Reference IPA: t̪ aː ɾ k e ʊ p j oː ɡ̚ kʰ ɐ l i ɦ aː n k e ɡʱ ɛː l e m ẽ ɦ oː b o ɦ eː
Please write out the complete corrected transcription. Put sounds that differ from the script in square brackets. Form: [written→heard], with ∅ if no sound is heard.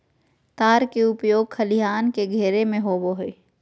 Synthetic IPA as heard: t̪ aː ɾ k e ʊ p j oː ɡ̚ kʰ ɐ l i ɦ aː n k e ɡʱ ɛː [l→ɾ] e m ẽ ɦ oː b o ɦ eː

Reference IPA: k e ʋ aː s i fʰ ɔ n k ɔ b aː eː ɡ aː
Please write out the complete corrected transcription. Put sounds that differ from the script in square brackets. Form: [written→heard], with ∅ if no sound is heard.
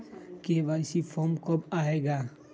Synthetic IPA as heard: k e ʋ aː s i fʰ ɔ [n→m] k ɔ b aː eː ɡ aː

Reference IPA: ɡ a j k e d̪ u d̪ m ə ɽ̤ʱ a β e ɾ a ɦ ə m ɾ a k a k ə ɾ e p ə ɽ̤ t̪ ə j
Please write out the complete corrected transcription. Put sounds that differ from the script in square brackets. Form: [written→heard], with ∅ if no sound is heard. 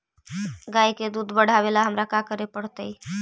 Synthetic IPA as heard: ɡ a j k e d̪ u d̪ [m→b] ə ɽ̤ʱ a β e [ɾ→l] a ɦ ə m ɾ a k a k ə ɾ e p ə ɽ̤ t̪ ə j

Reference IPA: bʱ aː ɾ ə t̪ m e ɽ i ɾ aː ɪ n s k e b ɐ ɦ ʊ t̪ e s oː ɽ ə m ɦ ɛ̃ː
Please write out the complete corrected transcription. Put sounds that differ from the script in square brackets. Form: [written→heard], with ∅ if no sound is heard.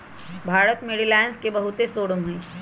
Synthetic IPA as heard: bʱ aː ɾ ə t̪ m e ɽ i [ɾ→l] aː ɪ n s k e b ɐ ɦ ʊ t̪ e s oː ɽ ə m ɦ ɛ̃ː

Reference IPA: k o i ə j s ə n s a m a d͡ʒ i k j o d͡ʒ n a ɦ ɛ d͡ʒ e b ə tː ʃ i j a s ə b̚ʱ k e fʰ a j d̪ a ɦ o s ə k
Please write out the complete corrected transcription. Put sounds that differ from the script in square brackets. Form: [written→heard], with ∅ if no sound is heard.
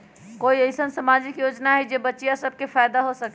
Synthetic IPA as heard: k o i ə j s ə n s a m a d͡ʒ i k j o d͡ʒ n a ɦ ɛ d͡ʒ e b ə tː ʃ i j a s ə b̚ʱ k e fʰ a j d̪ a ɦ o s ə k

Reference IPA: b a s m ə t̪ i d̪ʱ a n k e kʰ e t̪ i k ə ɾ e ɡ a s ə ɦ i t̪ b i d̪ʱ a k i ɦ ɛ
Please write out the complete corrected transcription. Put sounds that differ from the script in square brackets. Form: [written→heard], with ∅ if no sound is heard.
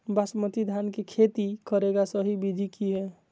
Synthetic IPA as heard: b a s m ə t̪ i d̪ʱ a n k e kʰ e t̪ i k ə ɾ e ɡ a s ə ɦ i [t̪→∅] b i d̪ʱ [a→i] k i ɦ ɛ

